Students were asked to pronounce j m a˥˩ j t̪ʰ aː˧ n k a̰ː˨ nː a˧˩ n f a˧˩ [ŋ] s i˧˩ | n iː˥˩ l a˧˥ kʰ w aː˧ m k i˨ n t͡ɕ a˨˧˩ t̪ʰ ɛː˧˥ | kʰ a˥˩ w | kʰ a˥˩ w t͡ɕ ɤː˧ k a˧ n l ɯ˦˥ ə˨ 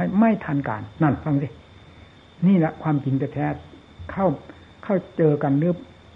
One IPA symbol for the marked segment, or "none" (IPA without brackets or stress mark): ŋ